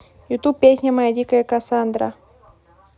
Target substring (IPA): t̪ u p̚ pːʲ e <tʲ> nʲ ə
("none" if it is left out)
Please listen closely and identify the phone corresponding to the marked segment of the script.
sʲ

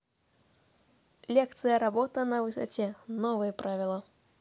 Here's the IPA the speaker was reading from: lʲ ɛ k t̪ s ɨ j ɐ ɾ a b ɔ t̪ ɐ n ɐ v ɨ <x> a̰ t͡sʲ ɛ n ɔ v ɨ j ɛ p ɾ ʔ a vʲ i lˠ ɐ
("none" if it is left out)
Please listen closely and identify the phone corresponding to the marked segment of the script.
s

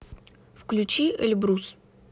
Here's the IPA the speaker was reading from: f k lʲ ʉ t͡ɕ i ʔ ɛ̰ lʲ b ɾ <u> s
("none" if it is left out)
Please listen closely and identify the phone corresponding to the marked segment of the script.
u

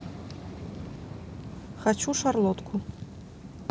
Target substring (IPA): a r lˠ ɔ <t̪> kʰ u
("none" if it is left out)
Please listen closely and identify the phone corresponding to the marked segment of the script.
t̪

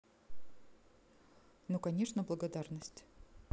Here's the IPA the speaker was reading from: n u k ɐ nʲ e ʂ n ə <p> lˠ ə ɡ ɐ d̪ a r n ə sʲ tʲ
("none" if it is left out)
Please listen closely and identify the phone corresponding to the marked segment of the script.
b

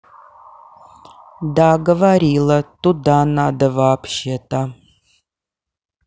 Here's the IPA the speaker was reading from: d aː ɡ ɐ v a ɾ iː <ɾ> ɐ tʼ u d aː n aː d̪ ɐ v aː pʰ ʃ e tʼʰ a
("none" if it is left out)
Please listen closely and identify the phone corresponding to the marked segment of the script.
l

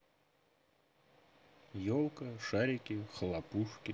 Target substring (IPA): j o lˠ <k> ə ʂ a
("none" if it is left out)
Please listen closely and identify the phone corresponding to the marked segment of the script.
k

